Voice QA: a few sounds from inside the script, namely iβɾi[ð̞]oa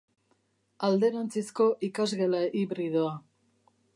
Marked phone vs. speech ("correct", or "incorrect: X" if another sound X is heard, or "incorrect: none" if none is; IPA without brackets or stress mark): correct